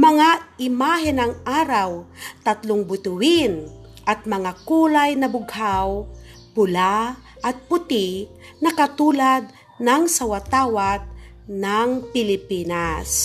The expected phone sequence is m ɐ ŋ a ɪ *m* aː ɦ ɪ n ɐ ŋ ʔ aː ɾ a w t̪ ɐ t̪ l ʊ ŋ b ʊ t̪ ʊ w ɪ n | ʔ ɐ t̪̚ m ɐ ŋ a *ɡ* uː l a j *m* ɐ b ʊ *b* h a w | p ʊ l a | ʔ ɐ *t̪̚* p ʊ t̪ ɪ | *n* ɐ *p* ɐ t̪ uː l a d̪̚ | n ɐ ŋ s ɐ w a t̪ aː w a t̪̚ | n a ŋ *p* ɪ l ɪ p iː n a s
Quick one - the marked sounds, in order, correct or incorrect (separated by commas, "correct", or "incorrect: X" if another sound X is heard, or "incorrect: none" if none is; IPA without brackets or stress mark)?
correct, incorrect: k, incorrect: n, incorrect: ɡ, correct, correct, incorrect: k, correct